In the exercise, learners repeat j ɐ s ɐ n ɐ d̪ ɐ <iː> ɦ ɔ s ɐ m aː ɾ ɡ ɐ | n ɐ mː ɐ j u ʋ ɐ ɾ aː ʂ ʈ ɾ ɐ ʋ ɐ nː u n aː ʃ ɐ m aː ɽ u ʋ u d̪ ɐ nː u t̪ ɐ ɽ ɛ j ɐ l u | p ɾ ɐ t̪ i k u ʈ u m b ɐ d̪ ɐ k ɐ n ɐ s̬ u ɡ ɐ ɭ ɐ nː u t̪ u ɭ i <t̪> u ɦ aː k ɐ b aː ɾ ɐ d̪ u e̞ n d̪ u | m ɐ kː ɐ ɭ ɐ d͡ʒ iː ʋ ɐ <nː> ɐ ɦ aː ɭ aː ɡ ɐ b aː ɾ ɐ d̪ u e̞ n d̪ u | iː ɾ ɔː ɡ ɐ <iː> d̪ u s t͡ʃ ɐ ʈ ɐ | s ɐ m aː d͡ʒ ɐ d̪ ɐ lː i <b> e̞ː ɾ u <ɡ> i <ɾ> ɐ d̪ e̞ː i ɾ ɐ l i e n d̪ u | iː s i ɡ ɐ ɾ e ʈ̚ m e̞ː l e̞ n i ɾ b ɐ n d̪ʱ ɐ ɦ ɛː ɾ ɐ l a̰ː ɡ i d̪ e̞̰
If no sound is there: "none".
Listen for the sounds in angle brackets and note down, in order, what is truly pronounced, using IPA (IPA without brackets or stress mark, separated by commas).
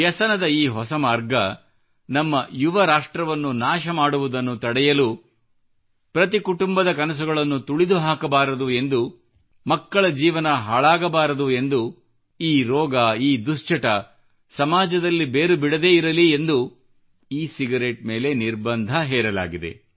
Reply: iː, d̪, n, iː, b, b, ɽ